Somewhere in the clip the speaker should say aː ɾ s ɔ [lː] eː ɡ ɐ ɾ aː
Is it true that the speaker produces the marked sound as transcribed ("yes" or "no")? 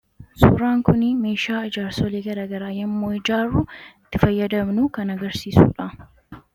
no